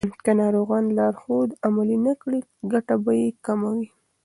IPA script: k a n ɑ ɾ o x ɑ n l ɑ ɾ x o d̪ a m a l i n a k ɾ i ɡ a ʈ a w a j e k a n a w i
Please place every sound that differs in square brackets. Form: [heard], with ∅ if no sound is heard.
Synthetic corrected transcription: k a n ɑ ɾ o [ɣ] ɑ n l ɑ ɾ x o d̪ a m a l i n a k [ɽ] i ɡ a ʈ a [b] a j e k a [m] a w i